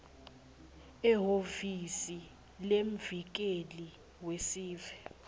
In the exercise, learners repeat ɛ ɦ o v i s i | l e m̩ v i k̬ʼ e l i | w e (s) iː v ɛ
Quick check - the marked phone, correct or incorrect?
correct